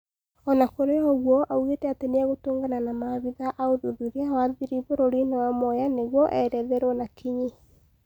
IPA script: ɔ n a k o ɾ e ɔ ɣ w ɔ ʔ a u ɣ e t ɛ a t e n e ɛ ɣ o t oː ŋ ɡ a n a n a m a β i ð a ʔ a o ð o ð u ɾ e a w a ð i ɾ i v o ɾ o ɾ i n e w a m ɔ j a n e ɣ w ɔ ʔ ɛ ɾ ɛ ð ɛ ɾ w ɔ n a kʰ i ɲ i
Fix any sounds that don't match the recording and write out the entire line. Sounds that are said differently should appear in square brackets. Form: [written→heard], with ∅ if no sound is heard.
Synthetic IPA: ɔ n a k o ɾ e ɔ ɣ w ɔ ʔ a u ɣ e t ɛ a t e n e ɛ ɣ o t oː ŋ ɡ a n a n a m a β i ð a ʔ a o ð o ð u ɾ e a w a ð i ɾ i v o ɾ o ɾ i n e w a m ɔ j a n e ɣ w ɔ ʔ ɛ ɾ ɛ ð ɛ ɾ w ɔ n a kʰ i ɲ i